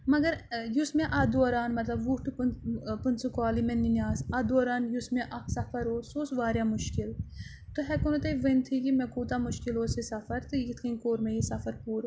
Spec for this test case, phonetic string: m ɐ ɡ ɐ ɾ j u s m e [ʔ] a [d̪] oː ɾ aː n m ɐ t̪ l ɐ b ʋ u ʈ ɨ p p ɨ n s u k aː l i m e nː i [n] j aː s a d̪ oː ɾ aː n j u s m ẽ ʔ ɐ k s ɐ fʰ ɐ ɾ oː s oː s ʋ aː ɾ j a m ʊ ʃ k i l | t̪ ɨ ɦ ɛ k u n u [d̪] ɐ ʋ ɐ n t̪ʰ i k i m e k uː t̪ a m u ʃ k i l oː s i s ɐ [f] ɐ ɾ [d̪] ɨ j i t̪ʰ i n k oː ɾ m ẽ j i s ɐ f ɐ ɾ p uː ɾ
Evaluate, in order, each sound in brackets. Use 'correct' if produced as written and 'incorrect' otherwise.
correct, correct, correct, incorrect: t̪, correct, incorrect: t̪

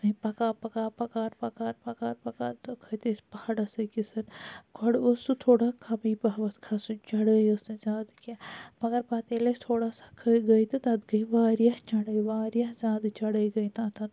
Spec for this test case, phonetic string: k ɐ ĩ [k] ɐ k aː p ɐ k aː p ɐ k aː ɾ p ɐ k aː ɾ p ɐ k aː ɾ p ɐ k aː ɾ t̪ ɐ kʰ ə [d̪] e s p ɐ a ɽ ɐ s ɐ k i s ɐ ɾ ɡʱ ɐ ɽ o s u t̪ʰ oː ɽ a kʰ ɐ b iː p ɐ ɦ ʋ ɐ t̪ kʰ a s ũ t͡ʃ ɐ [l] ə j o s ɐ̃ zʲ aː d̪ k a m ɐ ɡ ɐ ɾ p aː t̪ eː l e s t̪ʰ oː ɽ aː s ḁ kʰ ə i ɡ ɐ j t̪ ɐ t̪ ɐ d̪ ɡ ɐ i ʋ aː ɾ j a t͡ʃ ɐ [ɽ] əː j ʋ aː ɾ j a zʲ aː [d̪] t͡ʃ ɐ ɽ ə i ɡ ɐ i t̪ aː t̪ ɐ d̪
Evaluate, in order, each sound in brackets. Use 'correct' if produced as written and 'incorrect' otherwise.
incorrect: p, incorrect: t̪, incorrect: ɽ, correct, correct

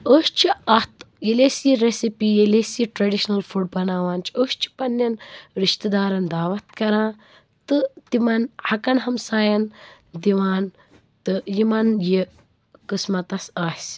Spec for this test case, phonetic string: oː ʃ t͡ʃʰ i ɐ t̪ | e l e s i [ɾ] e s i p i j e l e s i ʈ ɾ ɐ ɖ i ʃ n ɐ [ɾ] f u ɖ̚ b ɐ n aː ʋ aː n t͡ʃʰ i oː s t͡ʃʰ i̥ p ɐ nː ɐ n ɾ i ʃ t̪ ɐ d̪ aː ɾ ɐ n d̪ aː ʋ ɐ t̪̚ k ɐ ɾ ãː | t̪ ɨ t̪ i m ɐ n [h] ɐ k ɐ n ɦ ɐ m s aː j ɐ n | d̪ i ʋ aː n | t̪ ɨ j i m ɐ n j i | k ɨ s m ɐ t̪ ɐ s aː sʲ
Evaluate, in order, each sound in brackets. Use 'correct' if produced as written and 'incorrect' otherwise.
correct, incorrect: l, correct

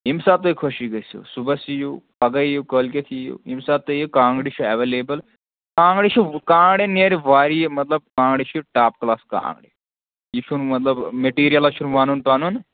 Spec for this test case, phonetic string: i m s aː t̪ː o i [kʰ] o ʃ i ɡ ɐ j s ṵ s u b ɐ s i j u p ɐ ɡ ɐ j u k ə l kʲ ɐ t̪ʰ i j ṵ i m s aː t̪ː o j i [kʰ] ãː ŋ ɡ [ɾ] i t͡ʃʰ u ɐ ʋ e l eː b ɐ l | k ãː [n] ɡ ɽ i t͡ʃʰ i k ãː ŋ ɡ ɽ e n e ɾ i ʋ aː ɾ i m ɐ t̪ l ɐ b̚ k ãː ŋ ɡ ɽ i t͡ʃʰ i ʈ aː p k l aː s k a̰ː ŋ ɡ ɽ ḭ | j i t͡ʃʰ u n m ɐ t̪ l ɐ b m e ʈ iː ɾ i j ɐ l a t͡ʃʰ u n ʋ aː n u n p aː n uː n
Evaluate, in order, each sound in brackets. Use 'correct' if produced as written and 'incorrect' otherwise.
correct, incorrect: k, incorrect: ɽ, incorrect: ŋ

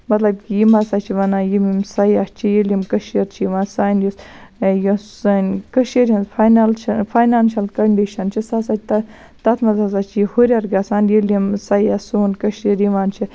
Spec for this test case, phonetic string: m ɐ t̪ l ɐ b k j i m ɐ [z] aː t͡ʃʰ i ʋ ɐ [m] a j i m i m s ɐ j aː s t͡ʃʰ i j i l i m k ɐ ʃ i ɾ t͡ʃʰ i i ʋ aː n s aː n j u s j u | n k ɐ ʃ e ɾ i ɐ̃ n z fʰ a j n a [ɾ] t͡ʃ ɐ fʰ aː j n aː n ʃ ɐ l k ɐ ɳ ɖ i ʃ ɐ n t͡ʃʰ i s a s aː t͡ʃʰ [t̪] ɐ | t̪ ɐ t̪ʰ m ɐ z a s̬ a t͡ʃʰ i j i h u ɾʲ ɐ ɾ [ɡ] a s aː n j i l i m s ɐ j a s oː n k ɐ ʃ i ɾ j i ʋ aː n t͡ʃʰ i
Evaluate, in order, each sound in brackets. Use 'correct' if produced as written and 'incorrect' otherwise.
incorrect: s, incorrect: n, incorrect: l, correct, correct

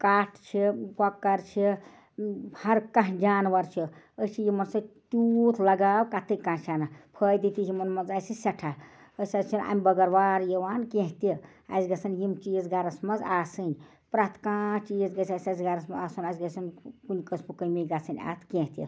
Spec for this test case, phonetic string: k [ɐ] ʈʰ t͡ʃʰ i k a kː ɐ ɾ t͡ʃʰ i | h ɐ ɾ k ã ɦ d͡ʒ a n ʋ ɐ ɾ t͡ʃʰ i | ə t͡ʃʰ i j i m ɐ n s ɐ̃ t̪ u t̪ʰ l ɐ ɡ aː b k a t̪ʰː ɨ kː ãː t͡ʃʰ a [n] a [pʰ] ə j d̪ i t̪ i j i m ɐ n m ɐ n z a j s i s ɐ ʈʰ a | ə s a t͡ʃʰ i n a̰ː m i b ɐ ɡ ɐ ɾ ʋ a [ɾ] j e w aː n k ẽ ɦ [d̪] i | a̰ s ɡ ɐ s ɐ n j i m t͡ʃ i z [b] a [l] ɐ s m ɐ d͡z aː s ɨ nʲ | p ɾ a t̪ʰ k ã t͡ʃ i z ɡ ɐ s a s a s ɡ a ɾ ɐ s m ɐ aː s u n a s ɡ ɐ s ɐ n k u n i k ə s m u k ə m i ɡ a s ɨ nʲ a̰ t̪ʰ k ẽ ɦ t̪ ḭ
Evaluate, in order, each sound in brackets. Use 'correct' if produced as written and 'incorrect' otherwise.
incorrect: a, correct, correct, correct, incorrect: t̪, incorrect: ɡ, incorrect: ɾ

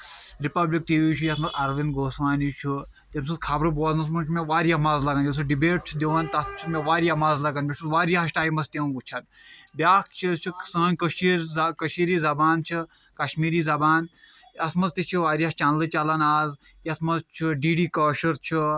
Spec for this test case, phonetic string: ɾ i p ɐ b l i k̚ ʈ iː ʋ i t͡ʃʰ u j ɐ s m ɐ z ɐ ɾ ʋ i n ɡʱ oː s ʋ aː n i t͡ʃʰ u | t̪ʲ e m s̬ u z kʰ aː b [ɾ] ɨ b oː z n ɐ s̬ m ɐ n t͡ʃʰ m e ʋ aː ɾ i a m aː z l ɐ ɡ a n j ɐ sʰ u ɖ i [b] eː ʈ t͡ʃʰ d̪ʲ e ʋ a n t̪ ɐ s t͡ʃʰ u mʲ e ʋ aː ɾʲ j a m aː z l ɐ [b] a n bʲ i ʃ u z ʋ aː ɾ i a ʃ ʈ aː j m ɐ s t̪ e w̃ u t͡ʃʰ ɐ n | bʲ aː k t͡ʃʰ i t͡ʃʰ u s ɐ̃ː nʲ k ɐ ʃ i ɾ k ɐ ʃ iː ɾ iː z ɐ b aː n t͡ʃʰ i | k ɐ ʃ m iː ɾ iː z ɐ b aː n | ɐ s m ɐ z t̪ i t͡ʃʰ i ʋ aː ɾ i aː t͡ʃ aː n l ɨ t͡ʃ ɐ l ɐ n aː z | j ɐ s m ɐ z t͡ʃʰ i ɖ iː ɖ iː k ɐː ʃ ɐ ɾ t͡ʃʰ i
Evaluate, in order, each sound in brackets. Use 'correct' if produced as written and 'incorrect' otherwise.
correct, correct, incorrect: ɡ

